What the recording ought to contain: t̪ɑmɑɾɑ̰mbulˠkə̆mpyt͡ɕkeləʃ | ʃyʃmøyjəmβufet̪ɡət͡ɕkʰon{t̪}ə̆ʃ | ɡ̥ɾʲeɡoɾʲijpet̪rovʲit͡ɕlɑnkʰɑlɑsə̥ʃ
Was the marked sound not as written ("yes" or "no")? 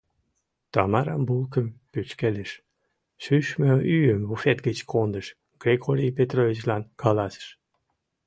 yes